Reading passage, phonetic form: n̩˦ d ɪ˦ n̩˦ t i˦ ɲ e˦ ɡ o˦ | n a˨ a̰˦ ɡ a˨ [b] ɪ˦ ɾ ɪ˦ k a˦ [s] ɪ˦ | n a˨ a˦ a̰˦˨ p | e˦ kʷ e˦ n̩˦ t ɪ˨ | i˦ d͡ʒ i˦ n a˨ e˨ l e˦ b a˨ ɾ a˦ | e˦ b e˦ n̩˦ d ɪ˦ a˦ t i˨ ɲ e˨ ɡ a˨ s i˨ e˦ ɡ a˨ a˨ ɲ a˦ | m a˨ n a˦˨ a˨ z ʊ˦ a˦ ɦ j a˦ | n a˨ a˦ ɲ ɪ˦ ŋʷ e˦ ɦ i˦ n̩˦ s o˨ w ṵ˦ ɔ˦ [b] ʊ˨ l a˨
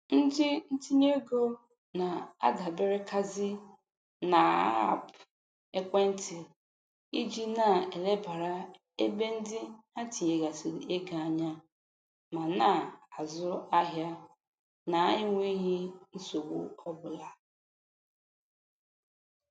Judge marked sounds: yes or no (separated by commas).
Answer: yes, no, yes